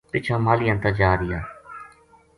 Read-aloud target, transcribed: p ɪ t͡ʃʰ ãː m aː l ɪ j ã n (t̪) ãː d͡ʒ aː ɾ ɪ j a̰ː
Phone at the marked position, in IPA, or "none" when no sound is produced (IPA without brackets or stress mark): t̪